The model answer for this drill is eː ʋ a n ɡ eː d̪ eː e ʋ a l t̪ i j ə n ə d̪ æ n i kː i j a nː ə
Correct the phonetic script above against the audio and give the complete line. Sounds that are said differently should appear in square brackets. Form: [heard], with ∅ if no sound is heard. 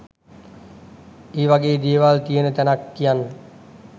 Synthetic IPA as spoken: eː ʋ a [∅] ɡ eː d̪ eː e ʋ a l t̪ i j ə n ə [t̪] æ n [a] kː i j a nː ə